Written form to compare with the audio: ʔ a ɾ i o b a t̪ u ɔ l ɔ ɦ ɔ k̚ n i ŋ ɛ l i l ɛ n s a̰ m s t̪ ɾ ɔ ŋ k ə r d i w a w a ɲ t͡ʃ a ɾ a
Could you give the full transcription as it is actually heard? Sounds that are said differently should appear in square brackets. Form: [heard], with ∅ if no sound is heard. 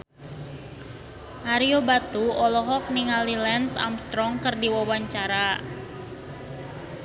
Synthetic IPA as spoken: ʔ a ɾ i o b a t̪ u ɔ l ɔ ɦ ɔ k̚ n i ŋ [a] l i l ɛ n s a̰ m s t̪ ɾ ɔ ŋ k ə r d i w a w a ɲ t͡ʃ a ɾ a